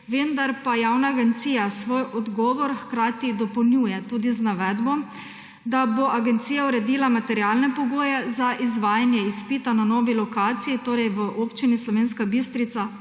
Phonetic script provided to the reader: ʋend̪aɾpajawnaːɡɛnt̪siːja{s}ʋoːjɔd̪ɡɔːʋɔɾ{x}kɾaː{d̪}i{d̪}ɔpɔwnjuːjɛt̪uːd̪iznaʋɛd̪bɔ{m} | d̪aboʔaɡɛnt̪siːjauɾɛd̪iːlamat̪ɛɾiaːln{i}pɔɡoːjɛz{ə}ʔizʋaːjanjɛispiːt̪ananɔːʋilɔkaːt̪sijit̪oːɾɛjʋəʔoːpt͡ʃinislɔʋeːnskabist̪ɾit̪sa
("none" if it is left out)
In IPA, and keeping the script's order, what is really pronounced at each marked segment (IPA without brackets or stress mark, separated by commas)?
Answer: s, x, t̪, d̪, m, ɛ, a